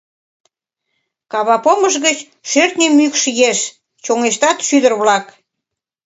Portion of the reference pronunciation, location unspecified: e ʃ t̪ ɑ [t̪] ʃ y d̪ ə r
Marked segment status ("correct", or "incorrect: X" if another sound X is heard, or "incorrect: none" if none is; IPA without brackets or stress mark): correct